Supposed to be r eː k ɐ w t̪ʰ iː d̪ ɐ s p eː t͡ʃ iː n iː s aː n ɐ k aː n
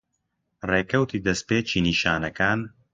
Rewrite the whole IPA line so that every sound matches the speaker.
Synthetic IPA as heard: r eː k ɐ w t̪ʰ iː d̪ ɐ s p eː t͡ʃ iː n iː ʃ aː n ɐ k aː n